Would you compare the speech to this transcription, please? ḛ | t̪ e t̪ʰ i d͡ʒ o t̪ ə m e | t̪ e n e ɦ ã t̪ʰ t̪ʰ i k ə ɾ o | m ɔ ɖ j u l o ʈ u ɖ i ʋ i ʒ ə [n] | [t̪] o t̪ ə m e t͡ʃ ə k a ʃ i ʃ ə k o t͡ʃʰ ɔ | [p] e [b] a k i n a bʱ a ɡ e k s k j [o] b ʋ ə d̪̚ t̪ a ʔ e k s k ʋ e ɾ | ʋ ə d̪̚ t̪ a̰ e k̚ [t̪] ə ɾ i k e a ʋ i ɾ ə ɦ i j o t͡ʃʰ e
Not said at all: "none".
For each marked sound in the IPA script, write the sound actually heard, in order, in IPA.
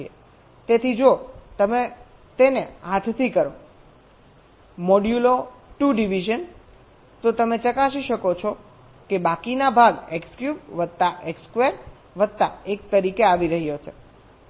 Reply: n, t̪, k, b, u, t̪

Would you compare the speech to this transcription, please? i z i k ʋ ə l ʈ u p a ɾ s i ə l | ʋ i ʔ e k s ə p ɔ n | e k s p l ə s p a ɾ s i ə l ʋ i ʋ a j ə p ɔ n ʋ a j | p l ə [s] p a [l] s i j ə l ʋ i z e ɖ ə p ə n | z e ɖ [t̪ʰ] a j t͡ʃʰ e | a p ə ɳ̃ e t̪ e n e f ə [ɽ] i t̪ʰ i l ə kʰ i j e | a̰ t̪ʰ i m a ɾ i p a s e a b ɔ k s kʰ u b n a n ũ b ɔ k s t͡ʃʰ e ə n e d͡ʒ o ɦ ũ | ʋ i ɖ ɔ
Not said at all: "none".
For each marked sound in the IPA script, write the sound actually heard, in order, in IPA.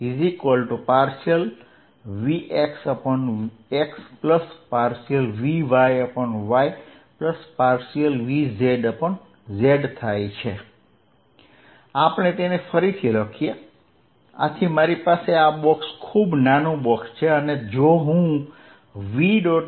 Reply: s, ɾ, t̪ʰ, ɾ

